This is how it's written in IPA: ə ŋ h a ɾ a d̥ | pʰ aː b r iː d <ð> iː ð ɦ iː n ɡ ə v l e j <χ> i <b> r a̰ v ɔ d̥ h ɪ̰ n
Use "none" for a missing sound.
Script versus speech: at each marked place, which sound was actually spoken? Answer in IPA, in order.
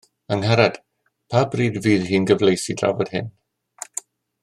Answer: v, s, d

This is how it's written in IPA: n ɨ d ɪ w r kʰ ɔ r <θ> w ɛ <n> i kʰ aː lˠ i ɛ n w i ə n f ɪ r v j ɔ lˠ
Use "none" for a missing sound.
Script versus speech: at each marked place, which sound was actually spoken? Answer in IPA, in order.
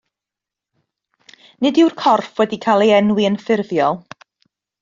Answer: f, d

